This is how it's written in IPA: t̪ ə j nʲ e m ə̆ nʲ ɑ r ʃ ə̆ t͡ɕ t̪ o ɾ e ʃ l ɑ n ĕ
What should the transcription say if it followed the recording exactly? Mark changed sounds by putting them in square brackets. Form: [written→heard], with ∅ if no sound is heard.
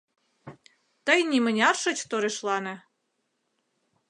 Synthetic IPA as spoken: t̪ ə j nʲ [e→i] m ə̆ nʲ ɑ r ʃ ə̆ t͡ɕ t̪ o ɾ e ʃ l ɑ n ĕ